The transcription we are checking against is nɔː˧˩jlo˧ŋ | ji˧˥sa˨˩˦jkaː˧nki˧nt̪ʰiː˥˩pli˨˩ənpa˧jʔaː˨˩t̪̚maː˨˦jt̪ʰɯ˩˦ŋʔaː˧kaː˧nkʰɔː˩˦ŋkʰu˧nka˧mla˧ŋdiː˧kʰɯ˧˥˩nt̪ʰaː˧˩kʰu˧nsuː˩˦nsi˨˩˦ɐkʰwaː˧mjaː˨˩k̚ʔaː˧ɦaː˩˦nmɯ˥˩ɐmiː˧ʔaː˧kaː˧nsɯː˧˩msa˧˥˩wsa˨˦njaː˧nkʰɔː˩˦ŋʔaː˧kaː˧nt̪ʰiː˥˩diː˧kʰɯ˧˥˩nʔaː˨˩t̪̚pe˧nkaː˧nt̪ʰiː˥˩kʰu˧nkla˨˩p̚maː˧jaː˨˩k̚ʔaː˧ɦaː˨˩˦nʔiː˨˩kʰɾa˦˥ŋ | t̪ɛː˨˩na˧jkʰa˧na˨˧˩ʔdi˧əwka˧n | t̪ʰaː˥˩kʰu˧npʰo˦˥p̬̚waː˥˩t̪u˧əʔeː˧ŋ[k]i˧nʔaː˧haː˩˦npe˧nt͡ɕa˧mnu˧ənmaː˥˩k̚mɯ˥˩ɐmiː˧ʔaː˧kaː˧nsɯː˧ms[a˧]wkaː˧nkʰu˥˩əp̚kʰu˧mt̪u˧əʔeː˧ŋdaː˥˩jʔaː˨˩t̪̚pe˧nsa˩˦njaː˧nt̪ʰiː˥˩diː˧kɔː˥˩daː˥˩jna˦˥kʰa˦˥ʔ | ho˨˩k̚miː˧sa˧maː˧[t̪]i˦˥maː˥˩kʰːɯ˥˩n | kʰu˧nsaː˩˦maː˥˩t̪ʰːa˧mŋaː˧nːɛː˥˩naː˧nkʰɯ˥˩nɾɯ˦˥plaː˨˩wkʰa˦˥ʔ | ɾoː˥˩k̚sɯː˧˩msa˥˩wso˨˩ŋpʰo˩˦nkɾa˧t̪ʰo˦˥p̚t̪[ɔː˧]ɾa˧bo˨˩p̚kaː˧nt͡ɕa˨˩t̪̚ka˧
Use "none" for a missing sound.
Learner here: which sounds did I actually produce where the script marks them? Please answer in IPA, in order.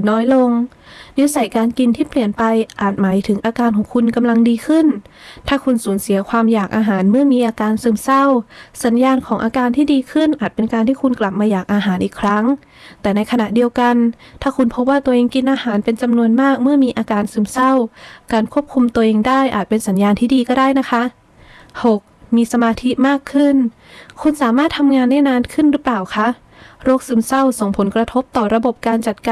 k, a˥˩, t̪ʰ, ɔː˨˩

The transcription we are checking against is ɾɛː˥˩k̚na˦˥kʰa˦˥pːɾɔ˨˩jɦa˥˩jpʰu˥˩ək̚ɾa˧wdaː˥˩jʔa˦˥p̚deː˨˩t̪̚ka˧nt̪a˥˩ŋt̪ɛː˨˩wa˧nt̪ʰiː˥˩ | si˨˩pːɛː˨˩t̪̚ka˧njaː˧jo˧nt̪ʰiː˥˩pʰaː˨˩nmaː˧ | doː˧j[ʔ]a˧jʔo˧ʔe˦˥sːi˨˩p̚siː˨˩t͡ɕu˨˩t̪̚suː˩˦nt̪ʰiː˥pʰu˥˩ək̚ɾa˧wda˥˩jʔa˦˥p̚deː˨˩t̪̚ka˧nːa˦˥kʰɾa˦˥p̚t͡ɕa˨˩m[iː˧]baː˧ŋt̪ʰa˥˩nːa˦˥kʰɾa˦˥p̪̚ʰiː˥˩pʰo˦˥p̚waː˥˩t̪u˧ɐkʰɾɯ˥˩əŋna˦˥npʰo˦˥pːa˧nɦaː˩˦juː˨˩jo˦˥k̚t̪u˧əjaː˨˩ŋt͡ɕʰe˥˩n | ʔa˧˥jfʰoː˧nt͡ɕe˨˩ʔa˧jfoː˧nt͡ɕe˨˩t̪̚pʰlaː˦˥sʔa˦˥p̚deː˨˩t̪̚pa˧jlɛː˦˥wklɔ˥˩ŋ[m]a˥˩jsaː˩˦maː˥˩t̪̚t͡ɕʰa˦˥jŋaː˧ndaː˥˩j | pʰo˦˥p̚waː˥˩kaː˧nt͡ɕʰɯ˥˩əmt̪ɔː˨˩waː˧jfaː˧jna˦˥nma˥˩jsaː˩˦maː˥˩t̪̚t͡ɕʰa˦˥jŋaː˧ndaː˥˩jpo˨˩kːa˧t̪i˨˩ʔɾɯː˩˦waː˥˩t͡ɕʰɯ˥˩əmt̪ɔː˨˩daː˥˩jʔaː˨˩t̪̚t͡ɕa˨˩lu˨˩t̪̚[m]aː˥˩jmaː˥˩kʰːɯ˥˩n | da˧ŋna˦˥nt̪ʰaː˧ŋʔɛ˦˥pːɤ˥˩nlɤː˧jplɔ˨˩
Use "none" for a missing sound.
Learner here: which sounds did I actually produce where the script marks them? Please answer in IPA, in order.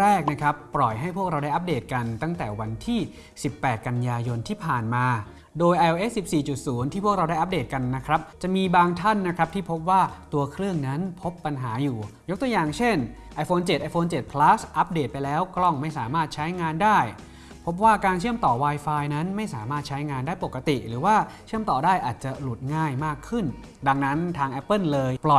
ʔ, iː˧, m, ŋ

